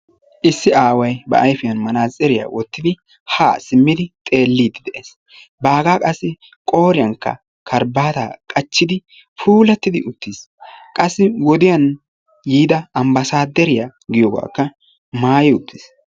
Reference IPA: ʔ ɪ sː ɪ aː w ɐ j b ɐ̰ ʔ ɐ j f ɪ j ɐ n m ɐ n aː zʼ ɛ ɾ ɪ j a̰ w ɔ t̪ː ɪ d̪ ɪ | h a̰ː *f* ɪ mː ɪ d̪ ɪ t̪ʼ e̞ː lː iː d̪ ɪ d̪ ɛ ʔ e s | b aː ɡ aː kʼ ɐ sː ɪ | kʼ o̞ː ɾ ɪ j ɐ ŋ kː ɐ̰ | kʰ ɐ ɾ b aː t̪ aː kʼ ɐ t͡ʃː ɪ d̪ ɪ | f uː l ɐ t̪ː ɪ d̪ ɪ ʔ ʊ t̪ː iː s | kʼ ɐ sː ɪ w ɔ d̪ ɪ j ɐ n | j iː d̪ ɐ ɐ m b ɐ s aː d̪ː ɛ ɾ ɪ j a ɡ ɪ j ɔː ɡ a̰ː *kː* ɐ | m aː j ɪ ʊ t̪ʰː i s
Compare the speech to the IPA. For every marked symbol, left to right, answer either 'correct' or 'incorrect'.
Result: incorrect: s, correct

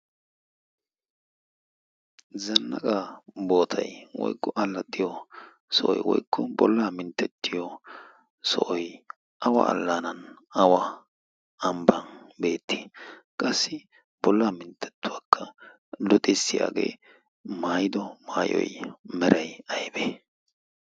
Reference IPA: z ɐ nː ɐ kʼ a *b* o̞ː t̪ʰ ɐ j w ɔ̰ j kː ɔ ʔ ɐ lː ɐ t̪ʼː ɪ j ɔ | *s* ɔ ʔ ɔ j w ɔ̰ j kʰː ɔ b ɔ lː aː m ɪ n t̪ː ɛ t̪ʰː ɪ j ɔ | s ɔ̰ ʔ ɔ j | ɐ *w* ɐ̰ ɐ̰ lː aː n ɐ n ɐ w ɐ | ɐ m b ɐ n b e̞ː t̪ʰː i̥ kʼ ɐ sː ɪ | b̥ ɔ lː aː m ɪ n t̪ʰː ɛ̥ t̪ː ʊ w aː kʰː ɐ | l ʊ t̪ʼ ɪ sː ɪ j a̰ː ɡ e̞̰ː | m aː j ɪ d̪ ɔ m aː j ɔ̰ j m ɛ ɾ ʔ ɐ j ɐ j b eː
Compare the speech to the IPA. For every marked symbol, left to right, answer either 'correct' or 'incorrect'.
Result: correct, correct, correct

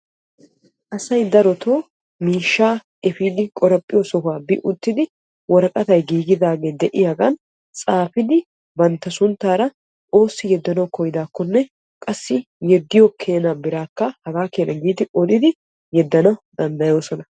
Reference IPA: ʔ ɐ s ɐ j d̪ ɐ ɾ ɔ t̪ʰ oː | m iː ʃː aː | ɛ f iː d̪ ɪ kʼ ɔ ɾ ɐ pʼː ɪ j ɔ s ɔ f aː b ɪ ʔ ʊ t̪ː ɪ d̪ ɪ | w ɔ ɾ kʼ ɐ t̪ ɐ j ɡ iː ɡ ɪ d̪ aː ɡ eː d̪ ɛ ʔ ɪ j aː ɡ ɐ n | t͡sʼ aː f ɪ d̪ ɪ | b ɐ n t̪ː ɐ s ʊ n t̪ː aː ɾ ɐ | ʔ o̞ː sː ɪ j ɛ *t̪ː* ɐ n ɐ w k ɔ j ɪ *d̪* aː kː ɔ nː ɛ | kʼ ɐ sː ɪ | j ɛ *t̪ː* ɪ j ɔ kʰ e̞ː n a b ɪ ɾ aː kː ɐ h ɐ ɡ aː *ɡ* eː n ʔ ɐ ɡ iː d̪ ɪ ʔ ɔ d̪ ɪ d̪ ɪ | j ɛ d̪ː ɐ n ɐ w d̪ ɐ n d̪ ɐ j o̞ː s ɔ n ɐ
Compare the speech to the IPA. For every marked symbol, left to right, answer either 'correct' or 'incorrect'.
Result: incorrect: d̪ː, correct, incorrect: d̪ː, incorrect: k

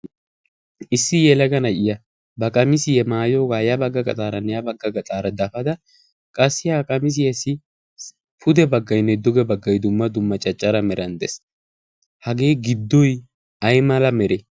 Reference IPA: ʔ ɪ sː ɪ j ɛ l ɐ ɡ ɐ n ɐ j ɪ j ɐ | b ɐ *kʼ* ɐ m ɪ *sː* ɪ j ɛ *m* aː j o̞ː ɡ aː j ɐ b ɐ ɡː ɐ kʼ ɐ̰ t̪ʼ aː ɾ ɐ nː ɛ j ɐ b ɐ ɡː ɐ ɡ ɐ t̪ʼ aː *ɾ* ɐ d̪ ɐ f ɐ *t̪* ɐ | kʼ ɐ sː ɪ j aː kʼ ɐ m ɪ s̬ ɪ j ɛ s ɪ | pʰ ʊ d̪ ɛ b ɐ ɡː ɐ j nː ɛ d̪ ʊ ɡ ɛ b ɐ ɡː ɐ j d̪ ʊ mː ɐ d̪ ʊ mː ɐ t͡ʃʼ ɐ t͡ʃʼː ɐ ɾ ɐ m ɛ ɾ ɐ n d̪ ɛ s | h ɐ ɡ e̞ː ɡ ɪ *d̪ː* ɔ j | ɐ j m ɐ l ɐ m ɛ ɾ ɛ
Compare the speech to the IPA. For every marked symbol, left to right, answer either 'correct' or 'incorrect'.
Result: correct, incorrect: s, correct, correct, incorrect: d̪, correct

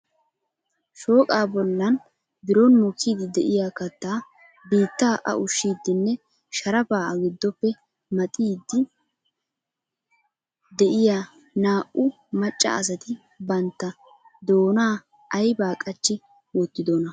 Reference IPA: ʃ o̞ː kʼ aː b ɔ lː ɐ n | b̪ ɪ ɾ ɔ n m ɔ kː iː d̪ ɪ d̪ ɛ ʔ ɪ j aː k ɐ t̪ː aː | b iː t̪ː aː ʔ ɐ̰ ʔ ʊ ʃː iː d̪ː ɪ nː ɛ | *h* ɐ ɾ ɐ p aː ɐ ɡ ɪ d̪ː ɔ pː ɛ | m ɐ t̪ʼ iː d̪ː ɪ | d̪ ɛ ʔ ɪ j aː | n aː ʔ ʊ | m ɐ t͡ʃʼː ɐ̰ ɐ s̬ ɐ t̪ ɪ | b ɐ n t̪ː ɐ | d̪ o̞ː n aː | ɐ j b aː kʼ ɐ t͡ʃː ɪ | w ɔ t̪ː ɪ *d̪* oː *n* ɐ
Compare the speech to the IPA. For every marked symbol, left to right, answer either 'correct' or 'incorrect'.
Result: incorrect: ʃ, correct, correct

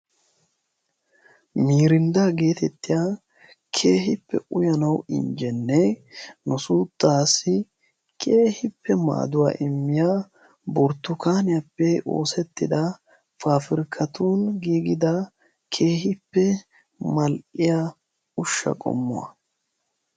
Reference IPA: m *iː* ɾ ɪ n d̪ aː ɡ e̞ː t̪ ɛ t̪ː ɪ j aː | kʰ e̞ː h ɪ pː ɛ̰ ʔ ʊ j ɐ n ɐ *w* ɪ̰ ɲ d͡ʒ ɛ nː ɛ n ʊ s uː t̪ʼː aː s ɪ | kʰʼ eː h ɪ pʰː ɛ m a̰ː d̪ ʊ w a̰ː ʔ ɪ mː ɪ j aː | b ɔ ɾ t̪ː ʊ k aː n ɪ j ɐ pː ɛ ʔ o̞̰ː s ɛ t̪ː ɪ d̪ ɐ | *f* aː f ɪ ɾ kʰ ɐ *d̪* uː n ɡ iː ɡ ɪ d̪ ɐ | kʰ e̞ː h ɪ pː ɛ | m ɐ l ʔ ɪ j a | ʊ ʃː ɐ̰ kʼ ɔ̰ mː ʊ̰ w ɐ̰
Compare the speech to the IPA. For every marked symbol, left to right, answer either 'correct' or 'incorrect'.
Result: correct, correct, correct, incorrect: t̪

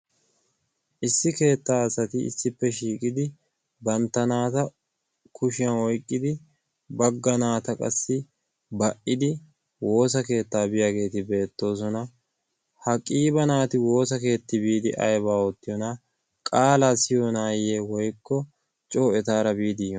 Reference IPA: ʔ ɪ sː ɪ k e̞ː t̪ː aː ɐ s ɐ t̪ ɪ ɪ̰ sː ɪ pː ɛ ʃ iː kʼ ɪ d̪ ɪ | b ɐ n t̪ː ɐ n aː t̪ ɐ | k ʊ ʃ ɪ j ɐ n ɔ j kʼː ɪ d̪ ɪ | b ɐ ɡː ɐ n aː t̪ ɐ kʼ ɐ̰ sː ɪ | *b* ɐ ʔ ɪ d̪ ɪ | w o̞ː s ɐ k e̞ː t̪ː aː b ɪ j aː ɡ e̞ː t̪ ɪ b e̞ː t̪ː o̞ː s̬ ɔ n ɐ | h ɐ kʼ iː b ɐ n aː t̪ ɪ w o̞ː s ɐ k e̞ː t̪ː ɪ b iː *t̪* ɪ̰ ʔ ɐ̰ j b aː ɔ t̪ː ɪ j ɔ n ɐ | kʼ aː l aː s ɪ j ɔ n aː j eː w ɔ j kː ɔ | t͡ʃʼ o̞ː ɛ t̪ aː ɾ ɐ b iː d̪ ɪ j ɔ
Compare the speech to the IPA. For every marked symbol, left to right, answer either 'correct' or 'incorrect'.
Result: correct, incorrect: d̪

